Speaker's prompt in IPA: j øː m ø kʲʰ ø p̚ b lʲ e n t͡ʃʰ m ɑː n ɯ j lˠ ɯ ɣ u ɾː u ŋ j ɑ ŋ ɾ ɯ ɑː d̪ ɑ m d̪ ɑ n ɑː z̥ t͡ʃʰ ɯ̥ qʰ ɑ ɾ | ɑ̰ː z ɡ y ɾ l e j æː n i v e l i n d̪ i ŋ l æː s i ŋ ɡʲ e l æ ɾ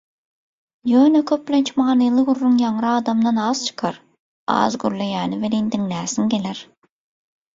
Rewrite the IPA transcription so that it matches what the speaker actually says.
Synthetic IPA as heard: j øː n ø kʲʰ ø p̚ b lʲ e n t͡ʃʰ m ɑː n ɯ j lˠ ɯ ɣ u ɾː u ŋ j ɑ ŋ ɾ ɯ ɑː d̪ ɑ m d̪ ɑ n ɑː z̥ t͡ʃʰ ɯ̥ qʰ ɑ ɾ | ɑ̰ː z ɡ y ɾ l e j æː n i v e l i n d̪ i ŋ l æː s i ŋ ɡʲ e l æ ɾ

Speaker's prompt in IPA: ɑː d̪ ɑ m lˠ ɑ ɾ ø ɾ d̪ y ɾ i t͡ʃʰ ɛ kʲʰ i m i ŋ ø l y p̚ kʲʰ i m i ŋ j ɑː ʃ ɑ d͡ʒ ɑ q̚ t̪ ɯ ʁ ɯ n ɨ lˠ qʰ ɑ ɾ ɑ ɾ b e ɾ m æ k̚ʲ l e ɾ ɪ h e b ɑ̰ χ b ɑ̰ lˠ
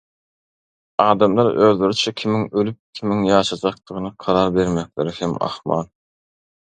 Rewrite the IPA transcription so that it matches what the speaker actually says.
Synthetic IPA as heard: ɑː d̪ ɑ m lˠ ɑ ɾ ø l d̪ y ɾ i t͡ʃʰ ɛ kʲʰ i m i ŋ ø l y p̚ kʲʰ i m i ŋ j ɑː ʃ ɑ d͡ʒ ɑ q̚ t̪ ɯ ʁ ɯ n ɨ qʰ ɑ ɾ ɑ ɾ b e ɾ m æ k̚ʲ l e ɾ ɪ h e m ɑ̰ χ m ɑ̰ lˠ

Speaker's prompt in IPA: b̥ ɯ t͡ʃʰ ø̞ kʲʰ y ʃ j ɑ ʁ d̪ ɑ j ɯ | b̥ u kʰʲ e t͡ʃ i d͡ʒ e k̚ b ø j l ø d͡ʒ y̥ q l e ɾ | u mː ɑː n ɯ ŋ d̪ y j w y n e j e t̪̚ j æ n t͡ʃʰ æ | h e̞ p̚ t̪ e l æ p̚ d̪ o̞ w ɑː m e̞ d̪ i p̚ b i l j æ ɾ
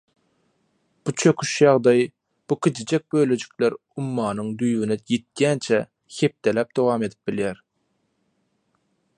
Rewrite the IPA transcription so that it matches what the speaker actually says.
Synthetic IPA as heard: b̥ u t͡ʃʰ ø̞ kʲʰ y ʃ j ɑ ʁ d̪ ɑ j ɯ | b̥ u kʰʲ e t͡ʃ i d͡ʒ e k̚ b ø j l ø d͡ʒ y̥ k l e ɾ | u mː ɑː n ɯ ŋ d̪ y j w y n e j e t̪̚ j æ n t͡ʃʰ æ | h e̞ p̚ t̪ e l æ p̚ d̪ o̞ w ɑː m e̞ d̪ i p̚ b i l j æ ɾ

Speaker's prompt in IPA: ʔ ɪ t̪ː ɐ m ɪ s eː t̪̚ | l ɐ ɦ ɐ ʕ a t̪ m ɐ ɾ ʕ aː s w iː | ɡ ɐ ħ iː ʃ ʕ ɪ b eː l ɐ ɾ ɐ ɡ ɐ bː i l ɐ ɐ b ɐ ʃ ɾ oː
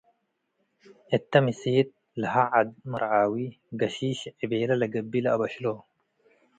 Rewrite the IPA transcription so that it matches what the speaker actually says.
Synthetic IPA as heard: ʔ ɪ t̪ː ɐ m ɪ s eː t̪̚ | l ɐ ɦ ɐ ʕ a d̪ m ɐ ɾ ʕ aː w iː | ɡ ɐ ʃ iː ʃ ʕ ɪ b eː l ɐ l ɐ ɡ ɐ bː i l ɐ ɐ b ɐ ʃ l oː

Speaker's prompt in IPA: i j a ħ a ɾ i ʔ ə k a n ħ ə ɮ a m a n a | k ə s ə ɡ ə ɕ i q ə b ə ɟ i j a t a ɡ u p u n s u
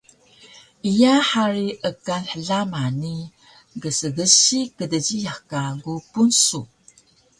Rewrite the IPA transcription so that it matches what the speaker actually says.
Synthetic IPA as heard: i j a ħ a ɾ i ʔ ə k a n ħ ə ɮ a m a n i | ɡ ə s ə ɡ ə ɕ i k ə d ə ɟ i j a k a ɡ u p u n s u

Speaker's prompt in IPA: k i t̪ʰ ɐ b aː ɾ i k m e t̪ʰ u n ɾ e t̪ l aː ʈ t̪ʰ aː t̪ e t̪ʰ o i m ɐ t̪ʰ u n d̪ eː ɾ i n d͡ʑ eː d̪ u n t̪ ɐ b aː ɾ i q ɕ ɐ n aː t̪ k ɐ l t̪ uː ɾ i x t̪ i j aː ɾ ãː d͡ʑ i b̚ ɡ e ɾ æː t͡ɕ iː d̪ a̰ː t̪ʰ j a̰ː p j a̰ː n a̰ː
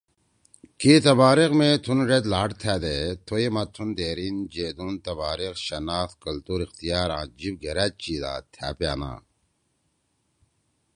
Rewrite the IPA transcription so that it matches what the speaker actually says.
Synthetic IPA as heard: k i t̪ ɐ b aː ɾ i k m e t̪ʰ u n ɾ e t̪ l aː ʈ t̪ʰ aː d̪ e t̪ʰ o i m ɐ t̪ʰ u n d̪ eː ɾ i n d͡ʑ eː d̪ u n t̪ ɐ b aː ɾ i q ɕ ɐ n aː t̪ k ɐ l t̪ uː ɾ i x t̪ i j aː ɾ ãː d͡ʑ i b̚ ɡ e ɾ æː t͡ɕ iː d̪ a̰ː t̪ʰ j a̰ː p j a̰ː n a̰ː

